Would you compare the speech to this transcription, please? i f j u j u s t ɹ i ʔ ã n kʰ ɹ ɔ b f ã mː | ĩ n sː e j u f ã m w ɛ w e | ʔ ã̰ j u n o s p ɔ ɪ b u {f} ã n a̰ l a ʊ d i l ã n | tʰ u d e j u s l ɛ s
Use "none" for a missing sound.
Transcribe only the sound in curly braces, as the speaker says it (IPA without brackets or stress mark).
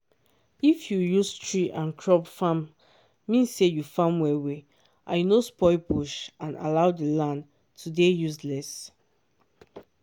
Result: ʃ